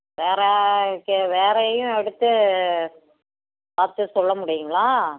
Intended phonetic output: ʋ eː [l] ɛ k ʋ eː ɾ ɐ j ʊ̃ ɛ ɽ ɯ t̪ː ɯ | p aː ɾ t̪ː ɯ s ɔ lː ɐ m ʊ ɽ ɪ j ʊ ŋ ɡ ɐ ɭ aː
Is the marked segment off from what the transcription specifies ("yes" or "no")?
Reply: yes